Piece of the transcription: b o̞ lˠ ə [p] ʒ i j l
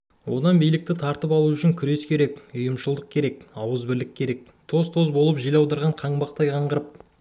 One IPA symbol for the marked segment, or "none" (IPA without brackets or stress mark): p